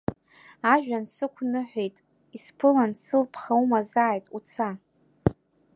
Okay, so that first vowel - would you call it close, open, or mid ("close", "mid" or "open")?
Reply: open